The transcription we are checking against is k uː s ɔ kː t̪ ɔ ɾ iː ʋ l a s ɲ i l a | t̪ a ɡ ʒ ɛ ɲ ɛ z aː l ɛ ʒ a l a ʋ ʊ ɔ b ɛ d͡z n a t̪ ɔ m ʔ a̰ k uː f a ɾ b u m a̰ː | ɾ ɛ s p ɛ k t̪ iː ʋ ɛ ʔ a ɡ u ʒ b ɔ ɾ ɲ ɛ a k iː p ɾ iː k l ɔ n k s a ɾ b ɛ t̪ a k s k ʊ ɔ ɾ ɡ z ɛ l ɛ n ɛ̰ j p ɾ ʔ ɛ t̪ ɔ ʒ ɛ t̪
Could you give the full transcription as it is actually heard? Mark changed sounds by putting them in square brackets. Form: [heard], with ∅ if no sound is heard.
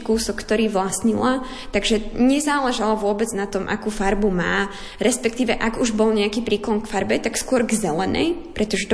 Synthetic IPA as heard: k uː s ɔ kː t̪ ɔ ɾ iː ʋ l a s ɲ i l a | t̪ a ɡ ʒ ɛ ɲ ɛ z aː l ɛ ʒ a l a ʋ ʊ ɔ b ɛ d͡z n a t̪ ɔ m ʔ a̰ k uː f a ɾ b u m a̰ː | ɾ ɛ s p ɛ k t̪ iː ʋ ɛ ʔ a ɡ u ʒ b ɔ [l] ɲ ɛ a k iː p ɾ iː k l ɔ n k [f] a ɾ b ɛ t̪ a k s k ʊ ɔ ɾ ɡ z ɛ l ɛ n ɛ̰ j p ɾ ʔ ɛ t̪ ɔ ʒ ɛ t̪